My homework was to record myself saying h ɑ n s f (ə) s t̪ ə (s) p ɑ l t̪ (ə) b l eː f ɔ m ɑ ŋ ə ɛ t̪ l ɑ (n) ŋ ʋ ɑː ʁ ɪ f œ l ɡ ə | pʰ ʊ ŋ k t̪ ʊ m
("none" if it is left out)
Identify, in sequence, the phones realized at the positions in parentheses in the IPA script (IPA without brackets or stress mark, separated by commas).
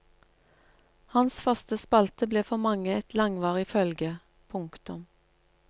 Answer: ɑ, s, ə, none